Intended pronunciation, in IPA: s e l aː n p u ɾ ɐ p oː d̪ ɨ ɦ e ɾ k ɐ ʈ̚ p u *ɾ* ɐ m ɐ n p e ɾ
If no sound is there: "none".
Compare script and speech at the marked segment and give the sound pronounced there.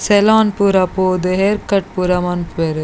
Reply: ɾ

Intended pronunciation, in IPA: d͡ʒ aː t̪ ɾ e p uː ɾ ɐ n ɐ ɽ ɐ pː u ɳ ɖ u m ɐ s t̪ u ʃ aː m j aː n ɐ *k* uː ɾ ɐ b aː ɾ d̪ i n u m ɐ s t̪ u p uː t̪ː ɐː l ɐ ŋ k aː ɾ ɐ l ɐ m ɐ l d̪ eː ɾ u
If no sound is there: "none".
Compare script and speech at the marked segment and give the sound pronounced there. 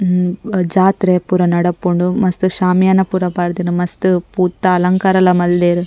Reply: p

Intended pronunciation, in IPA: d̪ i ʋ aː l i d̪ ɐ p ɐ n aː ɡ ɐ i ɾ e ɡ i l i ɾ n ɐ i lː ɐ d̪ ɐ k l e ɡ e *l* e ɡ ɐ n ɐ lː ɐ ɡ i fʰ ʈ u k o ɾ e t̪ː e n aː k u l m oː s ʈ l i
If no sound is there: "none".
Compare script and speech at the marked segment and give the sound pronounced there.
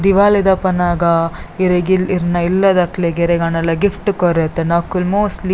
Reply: ɾ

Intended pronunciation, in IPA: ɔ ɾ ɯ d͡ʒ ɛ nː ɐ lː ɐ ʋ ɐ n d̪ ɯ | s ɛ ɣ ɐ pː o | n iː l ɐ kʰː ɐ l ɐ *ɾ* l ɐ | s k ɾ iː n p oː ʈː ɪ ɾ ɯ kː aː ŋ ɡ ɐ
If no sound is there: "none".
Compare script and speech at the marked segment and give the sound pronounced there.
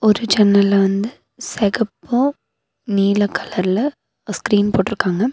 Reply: ɾ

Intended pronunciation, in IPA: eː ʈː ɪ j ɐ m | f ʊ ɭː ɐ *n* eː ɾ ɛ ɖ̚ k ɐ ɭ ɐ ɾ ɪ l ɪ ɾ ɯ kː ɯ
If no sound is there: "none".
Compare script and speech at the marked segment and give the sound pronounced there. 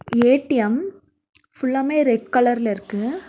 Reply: m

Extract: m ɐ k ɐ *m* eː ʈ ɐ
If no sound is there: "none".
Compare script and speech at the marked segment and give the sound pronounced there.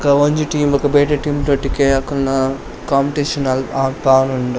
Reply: b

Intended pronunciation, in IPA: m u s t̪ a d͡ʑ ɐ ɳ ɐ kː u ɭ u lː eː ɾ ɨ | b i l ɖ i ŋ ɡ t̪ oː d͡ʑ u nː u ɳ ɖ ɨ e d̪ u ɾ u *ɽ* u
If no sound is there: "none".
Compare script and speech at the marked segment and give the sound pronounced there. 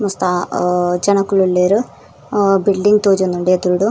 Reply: ɽ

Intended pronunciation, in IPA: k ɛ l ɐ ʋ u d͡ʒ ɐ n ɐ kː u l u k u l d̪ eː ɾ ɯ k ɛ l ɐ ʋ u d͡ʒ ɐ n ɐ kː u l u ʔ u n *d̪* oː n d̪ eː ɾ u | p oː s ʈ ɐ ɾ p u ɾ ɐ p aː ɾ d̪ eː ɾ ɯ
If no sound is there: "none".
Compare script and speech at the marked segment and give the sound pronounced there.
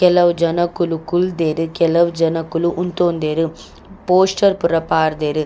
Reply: t̪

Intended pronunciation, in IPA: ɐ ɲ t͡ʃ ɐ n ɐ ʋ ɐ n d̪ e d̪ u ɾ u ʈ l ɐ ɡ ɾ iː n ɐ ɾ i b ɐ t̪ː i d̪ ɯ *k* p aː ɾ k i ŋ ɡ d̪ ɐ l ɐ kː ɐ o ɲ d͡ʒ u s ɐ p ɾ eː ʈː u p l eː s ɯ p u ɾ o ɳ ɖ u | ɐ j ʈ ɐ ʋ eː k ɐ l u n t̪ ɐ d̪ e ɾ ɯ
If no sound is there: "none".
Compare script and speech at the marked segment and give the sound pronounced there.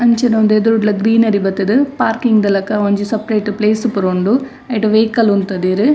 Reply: none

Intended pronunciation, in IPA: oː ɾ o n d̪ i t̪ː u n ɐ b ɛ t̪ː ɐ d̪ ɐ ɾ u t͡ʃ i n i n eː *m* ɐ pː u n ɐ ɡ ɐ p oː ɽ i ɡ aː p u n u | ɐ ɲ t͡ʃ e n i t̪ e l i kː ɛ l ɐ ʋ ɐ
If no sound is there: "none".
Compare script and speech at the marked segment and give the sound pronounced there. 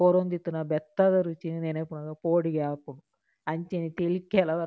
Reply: n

